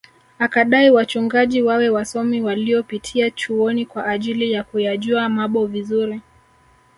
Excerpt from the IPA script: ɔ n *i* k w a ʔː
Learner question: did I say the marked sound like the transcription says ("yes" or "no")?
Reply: yes